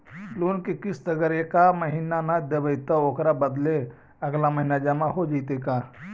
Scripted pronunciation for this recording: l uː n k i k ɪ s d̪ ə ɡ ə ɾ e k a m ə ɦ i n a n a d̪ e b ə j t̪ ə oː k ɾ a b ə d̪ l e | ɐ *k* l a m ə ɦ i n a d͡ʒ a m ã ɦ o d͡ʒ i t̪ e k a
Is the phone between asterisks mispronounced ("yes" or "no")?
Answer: yes